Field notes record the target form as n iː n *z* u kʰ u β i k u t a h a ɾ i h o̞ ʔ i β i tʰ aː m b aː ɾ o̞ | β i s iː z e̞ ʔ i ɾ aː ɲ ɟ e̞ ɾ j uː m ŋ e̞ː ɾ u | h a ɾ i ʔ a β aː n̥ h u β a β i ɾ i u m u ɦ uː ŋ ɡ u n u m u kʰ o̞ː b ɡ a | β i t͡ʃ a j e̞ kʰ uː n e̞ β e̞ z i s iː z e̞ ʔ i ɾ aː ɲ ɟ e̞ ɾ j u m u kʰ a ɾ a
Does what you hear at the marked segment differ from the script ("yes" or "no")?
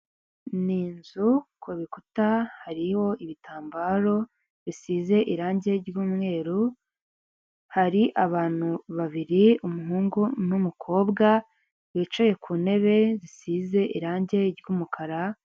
no